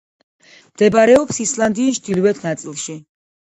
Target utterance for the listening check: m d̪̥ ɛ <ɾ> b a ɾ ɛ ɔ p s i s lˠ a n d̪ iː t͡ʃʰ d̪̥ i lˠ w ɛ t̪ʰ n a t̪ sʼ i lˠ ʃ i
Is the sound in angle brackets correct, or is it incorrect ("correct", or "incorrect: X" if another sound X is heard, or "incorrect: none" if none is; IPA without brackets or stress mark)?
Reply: incorrect: none